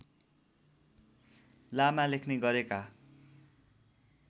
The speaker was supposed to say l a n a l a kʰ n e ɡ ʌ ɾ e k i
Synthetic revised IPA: l a m a l e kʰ n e ɡ ʌ ɾ e k a